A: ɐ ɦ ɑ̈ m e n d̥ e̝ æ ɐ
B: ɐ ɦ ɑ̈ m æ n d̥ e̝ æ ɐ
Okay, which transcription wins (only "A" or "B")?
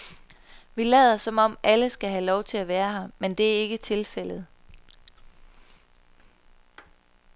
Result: A